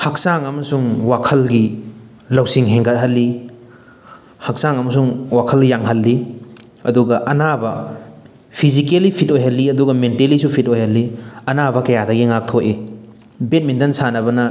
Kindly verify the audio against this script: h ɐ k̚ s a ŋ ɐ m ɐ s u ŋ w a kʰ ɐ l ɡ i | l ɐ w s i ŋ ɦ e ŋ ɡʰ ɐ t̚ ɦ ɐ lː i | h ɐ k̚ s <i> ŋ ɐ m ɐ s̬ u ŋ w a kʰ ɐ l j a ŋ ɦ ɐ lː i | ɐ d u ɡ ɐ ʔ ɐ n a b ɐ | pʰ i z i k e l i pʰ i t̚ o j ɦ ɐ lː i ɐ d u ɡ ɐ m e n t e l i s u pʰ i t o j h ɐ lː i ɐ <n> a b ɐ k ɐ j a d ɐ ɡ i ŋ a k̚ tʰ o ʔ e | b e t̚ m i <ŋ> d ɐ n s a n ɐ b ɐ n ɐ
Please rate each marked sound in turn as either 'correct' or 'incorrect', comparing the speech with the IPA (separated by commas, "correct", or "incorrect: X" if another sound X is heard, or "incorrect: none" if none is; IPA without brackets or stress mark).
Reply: incorrect: a, correct, incorrect: n